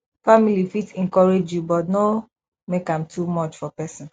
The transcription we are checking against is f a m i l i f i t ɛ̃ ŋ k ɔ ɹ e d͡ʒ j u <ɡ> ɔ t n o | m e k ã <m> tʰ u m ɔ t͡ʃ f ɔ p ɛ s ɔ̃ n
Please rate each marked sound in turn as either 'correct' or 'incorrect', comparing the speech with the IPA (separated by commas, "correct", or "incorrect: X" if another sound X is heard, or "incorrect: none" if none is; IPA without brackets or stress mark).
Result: incorrect: b, correct